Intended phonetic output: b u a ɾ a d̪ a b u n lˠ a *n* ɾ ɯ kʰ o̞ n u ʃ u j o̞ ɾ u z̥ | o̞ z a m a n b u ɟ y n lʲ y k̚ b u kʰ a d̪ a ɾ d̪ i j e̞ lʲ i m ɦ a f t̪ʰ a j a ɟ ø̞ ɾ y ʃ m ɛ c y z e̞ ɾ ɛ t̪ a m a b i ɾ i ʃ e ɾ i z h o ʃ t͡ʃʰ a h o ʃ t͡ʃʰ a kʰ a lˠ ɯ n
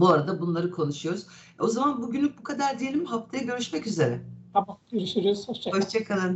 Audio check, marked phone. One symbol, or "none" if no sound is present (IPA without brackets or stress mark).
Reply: none